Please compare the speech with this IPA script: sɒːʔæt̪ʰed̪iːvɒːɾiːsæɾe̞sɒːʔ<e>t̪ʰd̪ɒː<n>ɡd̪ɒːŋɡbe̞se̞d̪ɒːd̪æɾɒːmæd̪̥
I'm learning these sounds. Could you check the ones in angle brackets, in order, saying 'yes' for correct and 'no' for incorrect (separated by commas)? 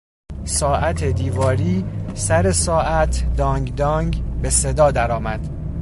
no, no